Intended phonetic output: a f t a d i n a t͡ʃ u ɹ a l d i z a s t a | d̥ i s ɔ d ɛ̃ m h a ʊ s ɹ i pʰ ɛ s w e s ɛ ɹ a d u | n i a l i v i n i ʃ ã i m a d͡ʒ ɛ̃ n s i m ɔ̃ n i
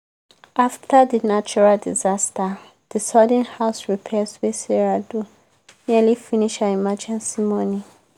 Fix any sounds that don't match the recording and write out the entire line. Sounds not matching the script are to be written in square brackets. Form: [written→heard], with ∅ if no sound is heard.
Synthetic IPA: a f t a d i n a t͡ʃ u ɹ a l d i z a s t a | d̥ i s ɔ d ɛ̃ [m→n] h a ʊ s ɹ i pʰ ɛ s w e s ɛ ɹ a d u | n i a l i [v→f] i n i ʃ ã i m a d͡ʒ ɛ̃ n s i m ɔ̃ n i